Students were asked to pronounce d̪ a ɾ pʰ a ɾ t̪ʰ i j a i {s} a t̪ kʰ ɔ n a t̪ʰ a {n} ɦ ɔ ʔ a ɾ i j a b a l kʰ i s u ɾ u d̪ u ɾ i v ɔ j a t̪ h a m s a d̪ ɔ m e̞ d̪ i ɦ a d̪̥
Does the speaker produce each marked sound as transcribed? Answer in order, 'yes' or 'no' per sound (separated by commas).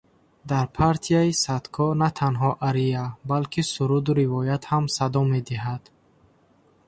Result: yes, yes